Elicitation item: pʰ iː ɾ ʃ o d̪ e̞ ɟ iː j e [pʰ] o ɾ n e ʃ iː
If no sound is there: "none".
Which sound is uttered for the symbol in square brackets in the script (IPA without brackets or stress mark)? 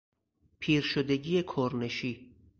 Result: kʰ